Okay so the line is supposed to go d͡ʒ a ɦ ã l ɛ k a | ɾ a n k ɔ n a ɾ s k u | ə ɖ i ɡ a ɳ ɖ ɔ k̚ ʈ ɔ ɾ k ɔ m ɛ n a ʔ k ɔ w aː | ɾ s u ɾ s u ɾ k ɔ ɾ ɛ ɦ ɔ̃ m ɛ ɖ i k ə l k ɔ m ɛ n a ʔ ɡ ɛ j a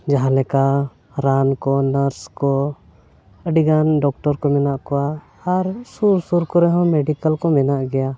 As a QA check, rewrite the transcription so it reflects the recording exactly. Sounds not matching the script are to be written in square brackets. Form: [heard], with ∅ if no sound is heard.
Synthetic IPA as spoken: d͡ʒ a ɦ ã l ɛ k a | ɾ a n k ɔ n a ɾ s k [ɔ] | ə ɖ i ɡ a [n] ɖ ɔ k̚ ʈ ɔ ɾ k ɔ m ɛ n a ʔ k ɔ w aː | ɾ s u ɾ s u ɾ k ɔ ɾ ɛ ɦ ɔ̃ m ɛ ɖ i k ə l k ɔ m ɛ n a ʔ ɡ ɛ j a